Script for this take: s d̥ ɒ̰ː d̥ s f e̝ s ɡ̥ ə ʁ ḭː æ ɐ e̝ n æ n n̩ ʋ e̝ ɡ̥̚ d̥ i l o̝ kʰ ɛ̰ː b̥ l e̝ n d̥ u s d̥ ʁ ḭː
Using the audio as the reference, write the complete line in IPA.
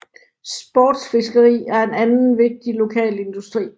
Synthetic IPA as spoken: s b̥ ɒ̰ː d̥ s f e̝ s ɡ̥ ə ʁ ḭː æ ɐ e̝ n æ n n̩ ʋ e̝ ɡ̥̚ d̥ i l o̝ kʰ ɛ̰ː l e̝ n d̥ u s d̥ ʁ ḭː